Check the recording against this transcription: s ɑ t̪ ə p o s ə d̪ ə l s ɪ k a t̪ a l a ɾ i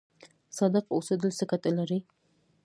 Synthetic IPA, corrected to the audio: s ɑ d̪ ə q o s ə d̪ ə l s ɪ k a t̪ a l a ɾ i

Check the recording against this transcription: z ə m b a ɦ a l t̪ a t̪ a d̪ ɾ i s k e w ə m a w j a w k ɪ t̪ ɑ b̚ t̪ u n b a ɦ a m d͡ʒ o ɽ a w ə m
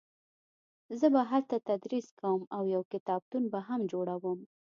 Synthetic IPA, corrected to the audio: z ə b a ɦ a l t̪ a t̪ a d̪ ɾ i s k a w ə m a w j a w k ɪ t̪ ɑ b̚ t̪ u n b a ɦ a m d͡ʒ o ɽ a w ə m

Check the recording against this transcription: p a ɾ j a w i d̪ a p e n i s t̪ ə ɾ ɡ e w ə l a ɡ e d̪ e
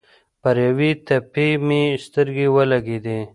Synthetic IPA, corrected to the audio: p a ɾ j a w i t̪ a p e m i s t̪ ə ɾ ɡ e w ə l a ɡ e d̪ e

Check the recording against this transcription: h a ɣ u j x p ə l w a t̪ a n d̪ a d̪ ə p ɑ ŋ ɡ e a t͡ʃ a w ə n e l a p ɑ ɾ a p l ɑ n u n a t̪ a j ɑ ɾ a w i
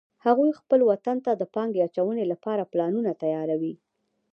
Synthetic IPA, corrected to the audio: h a ɣ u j x p ə l w a t̪ a n t̪ a d̪ ə p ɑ ŋ ɡ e a t͡ʃ a w ə n e l a p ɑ ɾ a p l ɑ n u n a t̪ a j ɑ ɾ a w i

